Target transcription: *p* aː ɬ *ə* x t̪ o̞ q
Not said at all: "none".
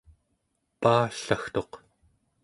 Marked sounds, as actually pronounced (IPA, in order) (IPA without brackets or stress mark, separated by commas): p, a